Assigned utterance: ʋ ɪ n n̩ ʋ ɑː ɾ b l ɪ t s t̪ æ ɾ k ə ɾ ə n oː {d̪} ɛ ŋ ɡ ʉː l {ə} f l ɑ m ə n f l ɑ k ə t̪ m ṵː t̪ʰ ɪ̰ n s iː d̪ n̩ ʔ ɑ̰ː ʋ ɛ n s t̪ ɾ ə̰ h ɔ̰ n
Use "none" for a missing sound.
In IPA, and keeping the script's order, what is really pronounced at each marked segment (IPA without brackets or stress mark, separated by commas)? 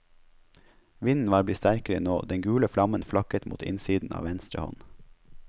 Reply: d̪, ə